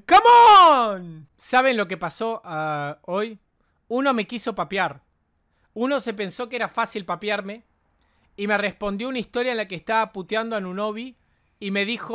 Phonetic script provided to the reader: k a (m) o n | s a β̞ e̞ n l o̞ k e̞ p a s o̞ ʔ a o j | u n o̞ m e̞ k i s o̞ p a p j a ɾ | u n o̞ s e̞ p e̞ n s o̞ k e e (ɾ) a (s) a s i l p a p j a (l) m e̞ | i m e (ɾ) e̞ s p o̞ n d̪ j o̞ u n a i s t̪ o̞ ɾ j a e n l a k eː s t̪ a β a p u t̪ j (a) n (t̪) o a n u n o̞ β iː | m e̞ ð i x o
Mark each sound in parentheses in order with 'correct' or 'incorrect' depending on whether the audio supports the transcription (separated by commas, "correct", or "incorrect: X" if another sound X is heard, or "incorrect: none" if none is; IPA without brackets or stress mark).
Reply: correct, correct, incorrect: f, incorrect: ɾ, incorrect: r, correct, incorrect: d̪